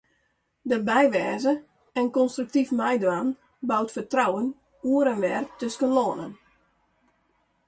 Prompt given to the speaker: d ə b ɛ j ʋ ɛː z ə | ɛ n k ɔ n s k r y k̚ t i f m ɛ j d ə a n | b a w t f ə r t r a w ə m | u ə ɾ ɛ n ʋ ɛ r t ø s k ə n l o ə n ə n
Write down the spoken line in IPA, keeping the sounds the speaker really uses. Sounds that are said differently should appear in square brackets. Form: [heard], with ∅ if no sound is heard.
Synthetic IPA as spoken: d ə b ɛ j ʋ ɛː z ə | ɛ n k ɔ n s [t] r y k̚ t i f m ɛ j d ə a n | b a w t f ə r t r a w ə [n] | u ə ɾ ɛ n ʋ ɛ r t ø s k ə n l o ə n ə n